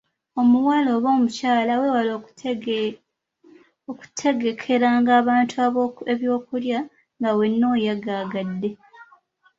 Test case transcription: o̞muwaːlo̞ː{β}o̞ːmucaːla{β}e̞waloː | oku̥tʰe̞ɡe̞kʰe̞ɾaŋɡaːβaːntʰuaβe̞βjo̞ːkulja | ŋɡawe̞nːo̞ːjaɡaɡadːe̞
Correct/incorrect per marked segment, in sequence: correct, incorrect: w

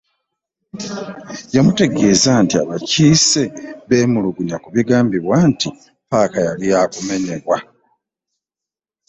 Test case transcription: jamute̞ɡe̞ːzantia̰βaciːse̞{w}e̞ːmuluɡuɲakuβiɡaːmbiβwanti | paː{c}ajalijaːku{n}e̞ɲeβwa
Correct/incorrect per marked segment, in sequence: incorrect: β, incorrect: k, incorrect: m

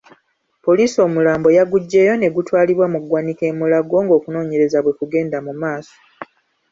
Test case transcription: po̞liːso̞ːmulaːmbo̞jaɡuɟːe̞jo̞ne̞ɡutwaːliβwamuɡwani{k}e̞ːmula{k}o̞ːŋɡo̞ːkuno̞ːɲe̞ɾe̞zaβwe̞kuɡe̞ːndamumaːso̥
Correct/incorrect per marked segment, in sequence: correct, incorrect: ɡ

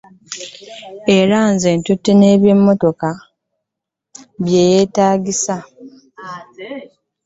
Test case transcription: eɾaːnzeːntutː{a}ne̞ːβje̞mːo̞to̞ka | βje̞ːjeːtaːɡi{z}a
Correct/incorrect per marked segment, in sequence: incorrect: e, incorrect: s

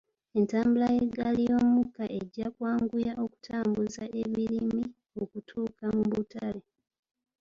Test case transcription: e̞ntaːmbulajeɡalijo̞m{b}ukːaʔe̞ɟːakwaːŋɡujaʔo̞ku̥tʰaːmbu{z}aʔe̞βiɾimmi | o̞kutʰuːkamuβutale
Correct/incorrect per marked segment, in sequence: incorrect: m, correct

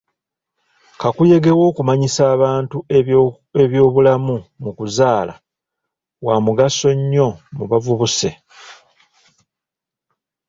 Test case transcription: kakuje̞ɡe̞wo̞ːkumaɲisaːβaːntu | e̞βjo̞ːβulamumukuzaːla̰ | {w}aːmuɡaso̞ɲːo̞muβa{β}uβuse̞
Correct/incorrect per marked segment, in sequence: correct, incorrect: v

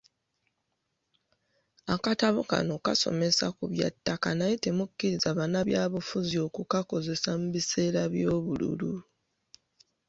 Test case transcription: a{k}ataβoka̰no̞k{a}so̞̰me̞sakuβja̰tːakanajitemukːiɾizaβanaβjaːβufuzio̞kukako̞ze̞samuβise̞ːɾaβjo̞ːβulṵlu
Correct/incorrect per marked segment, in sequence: correct, correct

